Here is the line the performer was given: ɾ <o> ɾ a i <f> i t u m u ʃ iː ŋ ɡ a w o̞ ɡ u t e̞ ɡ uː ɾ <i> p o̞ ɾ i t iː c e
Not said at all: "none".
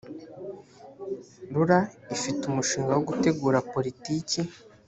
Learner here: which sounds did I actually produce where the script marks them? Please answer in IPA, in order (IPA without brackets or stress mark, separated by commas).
u, f, a